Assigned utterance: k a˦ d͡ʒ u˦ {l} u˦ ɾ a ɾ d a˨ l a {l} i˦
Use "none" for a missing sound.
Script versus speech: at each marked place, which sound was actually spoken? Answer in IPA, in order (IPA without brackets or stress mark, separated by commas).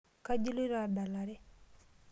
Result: l, ɾ